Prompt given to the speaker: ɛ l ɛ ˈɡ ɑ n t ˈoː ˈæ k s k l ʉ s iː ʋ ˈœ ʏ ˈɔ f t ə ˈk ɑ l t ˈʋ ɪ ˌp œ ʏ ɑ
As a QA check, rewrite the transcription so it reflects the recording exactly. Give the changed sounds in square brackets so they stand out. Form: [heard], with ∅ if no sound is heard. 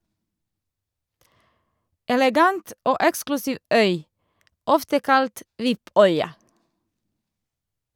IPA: ɛ l ɛ ˈɡ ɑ n t ˈoː [ˈɛ] k s k l ʉ s iː ʋ ˈœ ʏ ˈɔ f t ə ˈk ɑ l t ˈʋ ɪ ˌp œ ʏ ɑ